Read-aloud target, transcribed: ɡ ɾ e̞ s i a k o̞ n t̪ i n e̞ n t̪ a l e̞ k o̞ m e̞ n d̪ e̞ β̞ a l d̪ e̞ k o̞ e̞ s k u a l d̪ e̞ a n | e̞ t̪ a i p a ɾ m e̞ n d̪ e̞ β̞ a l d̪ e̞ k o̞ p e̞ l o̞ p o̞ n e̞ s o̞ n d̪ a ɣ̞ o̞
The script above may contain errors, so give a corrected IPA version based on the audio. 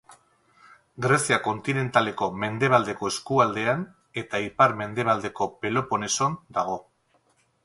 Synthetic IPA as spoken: ɡ ɾ e̞ s i a k o̞ n t̪ i n e̞ n t̪ a l e̞ k o̞ m e̞ n d̪ e̞ β̞ a l d̪ e̞ k o̞ e̞ s k u a l d̪ e̞ a n | e̞ t̪ a i p a ɾ m e̞ n d̪ e̞ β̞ a l d̪ e̞ k o̞ p e̞ l o̞ p o̞ n e̞ s o̞ n d̪ a ɣ̞ o̞